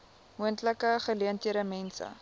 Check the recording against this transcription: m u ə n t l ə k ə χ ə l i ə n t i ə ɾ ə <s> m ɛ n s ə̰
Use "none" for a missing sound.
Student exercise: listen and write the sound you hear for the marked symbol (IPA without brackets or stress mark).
none